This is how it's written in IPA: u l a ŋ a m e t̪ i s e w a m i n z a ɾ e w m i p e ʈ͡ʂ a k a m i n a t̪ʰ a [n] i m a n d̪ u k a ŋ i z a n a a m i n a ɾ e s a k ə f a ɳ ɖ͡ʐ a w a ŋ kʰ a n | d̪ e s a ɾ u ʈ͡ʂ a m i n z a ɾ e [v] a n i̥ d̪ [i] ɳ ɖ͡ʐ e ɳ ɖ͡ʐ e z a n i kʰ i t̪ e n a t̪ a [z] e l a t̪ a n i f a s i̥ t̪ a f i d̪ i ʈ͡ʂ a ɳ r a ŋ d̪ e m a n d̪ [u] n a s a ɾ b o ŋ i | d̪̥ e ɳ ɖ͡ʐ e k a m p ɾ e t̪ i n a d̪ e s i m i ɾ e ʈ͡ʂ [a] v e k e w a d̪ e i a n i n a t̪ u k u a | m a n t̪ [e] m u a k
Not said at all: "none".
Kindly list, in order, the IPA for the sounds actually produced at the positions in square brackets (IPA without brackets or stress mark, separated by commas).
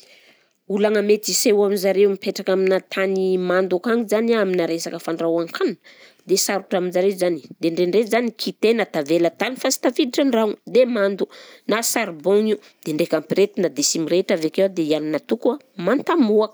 n, z, e, v, u, a, a